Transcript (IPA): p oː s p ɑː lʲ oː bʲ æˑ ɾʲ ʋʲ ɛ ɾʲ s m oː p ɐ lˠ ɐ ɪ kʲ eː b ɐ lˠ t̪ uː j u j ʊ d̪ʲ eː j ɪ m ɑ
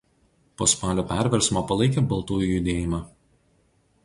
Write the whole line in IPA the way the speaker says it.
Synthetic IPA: p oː s p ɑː lʲ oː pʲ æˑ ɾʲ ʋʲ ɛ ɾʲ s m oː p ɐ lˠ ɐ ɪ kʲ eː b ɐ lˠ t̪ uː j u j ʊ d̪ʲ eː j ɪ m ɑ